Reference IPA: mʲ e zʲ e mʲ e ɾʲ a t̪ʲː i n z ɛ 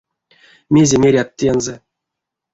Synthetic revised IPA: mʲ e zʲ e mʲ e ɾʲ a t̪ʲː e n z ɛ